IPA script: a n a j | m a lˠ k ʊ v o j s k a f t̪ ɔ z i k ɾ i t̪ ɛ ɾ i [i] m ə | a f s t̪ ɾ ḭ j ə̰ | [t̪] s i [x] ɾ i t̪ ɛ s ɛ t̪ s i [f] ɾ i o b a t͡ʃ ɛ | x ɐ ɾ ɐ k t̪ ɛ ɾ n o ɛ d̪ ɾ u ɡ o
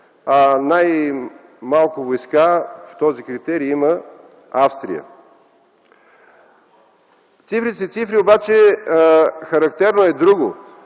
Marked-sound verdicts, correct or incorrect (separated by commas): correct, correct, incorrect, correct